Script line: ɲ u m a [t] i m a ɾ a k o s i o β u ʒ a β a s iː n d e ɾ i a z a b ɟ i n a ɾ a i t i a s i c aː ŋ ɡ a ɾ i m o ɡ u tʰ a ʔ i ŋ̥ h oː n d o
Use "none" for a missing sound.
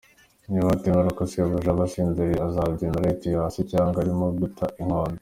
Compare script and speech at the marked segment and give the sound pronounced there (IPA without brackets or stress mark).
t